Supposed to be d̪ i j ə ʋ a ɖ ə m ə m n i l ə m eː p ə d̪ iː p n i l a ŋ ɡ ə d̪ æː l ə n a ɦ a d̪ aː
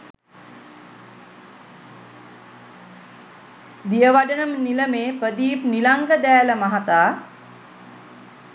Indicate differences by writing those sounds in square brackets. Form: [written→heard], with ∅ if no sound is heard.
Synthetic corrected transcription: d̪ i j ə ʋ a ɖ ə [m→n] ə m n i l ə m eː p ə d̪ iː p n i l a ŋ ɡ ə d̪ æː l ə [n→m] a ɦ a [d̪→t̪] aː